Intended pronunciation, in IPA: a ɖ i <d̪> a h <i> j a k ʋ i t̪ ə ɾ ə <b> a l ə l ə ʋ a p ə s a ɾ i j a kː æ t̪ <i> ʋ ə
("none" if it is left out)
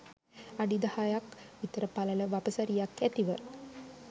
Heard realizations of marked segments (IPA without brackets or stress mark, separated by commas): d̪, a, p, i